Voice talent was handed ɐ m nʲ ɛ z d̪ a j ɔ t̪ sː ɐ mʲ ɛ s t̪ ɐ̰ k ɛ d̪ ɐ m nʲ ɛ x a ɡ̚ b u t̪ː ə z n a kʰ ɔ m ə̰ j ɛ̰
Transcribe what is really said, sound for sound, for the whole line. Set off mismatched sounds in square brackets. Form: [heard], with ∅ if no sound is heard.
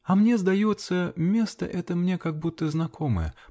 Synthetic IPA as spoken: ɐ m nʲ ɛ z d̪ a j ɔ t̪ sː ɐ mʲ ɛ s t̪ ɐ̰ [ʔ] ɛ [t̪] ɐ m nʲ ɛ [k] a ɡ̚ b u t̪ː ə z n a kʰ ɔ m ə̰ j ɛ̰